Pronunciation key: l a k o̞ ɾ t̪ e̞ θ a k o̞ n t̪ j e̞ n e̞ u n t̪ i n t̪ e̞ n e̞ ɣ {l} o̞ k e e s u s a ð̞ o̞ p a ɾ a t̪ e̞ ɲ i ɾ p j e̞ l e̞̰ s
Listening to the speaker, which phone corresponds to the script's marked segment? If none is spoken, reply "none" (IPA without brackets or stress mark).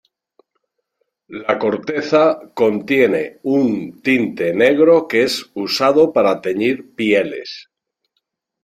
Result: ɾ